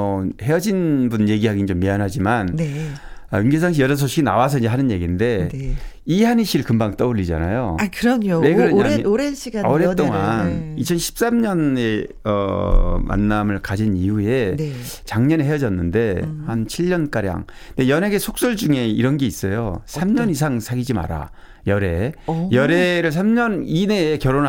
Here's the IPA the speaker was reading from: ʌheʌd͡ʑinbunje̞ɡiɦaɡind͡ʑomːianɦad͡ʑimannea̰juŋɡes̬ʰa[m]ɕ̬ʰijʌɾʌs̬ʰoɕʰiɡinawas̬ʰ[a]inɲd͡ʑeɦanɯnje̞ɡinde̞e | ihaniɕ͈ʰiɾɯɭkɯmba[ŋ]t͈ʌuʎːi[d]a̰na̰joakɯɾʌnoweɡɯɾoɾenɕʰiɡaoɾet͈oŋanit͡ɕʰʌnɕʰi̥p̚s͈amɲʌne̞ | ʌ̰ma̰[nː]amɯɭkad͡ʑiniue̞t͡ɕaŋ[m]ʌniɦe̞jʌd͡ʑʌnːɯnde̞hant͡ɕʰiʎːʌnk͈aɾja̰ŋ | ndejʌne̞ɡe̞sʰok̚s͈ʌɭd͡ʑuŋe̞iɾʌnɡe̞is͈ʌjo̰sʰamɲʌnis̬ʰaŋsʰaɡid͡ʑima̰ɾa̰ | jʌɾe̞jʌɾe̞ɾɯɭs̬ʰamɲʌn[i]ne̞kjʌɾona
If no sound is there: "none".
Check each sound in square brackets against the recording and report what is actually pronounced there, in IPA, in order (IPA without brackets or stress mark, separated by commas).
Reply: ŋ, ʌ, ŋ, d͡ʑ, nː, ɲ, i